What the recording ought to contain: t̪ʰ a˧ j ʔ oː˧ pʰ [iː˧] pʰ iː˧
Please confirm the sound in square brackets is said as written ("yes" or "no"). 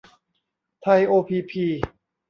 yes